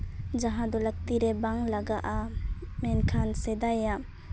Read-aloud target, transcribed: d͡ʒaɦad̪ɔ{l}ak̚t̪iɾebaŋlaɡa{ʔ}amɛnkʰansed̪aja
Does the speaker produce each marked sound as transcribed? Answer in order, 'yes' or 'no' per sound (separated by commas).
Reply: yes, yes